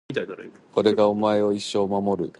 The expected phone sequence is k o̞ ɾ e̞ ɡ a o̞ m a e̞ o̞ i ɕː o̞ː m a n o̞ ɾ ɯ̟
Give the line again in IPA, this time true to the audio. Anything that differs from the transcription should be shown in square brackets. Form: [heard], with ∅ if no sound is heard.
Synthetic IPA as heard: k o̞ ɾ e̞ ɡ a o̞ m a e̞ o̞ i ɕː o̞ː m a [m] o̞ ɾ ɯ̟